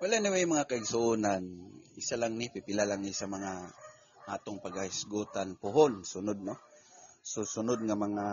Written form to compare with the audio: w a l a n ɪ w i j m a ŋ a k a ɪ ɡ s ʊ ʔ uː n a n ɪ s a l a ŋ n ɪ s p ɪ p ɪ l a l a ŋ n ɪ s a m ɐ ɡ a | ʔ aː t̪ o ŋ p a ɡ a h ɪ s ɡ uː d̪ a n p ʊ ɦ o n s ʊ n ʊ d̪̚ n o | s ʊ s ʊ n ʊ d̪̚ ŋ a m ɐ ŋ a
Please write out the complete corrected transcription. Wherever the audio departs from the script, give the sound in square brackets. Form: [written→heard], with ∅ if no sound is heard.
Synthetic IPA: w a l a n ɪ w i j m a ŋ a k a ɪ ɡ s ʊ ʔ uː n a n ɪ s a l a ŋ n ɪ [s→∅] p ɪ p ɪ l a l a ŋ n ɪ s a m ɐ [ɡ→ŋ] a | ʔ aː t̪ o ŋ p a ɡ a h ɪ s ɡ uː [d̪→t̪] a n p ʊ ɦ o n s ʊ n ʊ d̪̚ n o | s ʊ s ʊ n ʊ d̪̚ ŋ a m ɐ ŋ a